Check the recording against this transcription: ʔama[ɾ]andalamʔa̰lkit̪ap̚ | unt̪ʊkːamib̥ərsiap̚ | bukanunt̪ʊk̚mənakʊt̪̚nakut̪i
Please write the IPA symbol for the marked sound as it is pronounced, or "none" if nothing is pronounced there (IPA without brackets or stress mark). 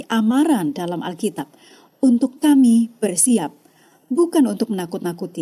ɾ